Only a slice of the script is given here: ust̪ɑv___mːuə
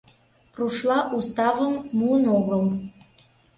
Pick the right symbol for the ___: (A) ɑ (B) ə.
B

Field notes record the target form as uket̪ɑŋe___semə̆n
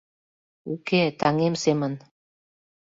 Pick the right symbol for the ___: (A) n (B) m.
B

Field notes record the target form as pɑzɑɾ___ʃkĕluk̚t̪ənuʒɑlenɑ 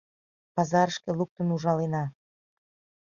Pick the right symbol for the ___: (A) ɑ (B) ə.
B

